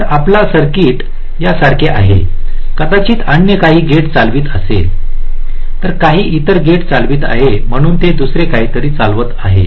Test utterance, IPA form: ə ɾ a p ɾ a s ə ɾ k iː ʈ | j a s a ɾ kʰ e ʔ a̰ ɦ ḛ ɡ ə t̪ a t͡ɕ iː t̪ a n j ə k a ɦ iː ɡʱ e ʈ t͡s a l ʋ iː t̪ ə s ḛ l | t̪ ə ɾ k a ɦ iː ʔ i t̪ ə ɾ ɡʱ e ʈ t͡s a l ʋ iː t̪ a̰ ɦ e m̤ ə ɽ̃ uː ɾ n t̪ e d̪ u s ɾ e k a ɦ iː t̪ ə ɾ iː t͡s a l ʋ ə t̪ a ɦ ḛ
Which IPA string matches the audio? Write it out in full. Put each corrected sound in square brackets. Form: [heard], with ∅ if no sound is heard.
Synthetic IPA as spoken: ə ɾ a p [l] a s ə ɾ k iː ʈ | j a s a ɾ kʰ e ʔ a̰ ɦ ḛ [k] ə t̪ a t͡ɕ iː t̪ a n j ə k a ɦ iː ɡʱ e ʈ t͡s a l ʋ iː t̪ ə s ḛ l | t̪ ə ɾ k a ɦ iː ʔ i t̪ ə ɾ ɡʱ e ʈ t͡s a l ʋ iː t̪ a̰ ɦ e m̤ ə ɽ̃ uː [∅] n t̪ e d̪ u s ɾ e k a ɦ iː t̪ ə ɾ iː t͡s a l ʋ ə t̪ a ɦ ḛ